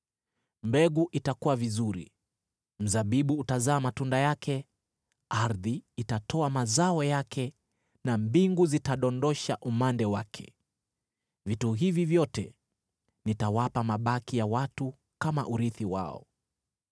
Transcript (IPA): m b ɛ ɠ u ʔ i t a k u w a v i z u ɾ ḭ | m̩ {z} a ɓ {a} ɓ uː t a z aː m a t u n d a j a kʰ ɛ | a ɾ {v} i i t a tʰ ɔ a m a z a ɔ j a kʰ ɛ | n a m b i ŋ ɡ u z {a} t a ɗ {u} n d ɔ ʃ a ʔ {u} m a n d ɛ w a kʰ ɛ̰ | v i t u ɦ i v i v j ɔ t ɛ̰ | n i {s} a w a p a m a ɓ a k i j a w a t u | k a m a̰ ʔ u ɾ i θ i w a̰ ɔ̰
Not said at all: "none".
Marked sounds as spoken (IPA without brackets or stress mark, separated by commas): z, i, ð, i, ɔ, u, t